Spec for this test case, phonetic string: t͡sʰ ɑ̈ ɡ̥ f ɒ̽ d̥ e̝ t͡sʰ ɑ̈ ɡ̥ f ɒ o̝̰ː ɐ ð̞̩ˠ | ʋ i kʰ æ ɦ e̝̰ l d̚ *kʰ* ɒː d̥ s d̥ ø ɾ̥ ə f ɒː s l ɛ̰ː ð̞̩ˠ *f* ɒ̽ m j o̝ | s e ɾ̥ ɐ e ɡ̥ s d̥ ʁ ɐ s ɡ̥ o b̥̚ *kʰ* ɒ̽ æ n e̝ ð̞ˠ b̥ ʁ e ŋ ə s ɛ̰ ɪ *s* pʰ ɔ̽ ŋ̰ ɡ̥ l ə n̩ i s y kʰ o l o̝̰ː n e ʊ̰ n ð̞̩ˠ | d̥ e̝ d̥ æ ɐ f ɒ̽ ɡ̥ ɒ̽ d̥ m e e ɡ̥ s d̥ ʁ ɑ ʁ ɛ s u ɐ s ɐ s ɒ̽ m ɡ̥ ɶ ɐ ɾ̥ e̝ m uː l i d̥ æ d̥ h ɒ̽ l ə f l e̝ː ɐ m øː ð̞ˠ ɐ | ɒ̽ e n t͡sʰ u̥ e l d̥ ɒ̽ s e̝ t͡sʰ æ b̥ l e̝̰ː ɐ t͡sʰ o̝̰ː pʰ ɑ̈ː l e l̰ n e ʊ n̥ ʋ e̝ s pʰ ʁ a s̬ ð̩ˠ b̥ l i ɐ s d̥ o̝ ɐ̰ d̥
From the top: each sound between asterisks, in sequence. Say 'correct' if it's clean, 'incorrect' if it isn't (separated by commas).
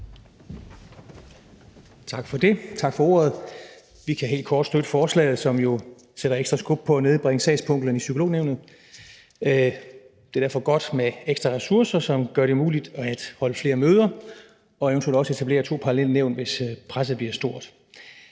correct, incorrect, incorrect, correct